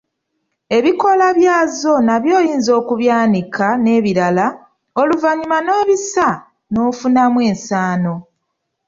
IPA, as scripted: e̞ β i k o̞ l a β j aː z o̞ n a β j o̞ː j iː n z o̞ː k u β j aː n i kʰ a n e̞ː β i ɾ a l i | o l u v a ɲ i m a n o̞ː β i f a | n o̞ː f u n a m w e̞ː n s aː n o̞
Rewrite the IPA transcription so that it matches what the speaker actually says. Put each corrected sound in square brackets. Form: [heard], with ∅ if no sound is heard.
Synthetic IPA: e̞ β i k o̞ l a β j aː z o̞ n a β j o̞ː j iː n z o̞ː k u β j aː n i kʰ a n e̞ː β i ɾ a l [a] | o l u v a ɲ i m a n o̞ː β i [s] a | n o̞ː f u n a m w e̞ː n s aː n o̞